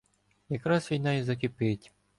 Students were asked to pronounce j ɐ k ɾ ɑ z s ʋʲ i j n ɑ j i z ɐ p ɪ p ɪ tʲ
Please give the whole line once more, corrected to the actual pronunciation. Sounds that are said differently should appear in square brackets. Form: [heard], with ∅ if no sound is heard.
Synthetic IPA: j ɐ k ɾ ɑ [∅] s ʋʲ i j n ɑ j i z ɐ [k] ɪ p ɪ tʲ